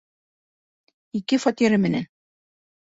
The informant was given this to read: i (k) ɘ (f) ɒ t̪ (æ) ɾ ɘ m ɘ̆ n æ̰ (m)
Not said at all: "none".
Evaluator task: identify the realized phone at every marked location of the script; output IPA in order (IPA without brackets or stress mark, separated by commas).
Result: k, f, i, n